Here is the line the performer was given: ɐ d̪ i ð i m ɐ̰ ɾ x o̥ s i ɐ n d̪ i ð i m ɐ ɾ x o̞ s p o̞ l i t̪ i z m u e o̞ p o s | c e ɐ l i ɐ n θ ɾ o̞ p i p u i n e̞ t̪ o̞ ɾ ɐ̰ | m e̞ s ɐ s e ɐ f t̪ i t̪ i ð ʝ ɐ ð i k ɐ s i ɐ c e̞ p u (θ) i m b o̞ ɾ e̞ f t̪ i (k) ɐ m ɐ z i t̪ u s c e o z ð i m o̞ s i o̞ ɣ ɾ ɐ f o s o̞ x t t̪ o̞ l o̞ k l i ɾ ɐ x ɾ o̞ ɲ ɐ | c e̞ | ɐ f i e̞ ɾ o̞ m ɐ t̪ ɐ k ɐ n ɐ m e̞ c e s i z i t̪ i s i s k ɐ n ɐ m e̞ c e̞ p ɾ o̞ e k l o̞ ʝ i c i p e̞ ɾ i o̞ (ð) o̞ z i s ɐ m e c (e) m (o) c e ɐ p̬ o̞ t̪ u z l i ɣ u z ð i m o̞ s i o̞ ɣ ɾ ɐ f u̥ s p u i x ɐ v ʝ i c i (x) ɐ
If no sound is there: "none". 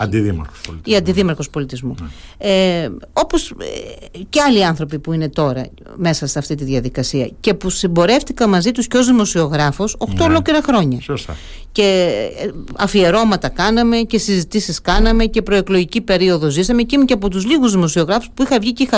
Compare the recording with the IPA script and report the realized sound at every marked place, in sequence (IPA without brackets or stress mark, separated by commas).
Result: s, k, ð, i, u, x